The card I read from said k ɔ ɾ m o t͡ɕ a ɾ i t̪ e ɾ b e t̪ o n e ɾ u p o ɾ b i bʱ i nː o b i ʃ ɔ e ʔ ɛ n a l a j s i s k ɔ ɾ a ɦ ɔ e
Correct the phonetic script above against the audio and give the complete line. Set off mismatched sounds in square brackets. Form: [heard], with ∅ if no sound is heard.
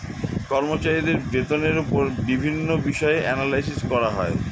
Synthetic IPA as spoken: k ɔ ɾ m o t͡ɕ a ɾ i [d̪] e ɾ b e t̪ o n e ɾ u p o ɾ b i bʱ i nː o b i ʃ ɔ e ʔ ɛ n a l a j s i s k ɔ ɾ a ɦ ɔ e